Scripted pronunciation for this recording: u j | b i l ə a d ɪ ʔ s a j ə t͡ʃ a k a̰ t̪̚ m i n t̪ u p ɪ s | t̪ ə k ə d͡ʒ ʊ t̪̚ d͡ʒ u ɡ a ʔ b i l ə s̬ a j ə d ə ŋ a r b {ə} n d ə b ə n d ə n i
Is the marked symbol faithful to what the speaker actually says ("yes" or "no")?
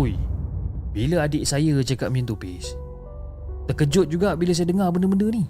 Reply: yes